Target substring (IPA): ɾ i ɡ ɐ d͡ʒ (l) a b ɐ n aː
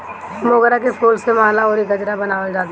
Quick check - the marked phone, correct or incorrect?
incorrect